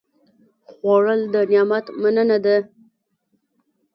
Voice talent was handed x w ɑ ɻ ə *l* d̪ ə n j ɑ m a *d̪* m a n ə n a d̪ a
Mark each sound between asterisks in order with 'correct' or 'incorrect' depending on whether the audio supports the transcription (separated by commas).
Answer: correct, incorrect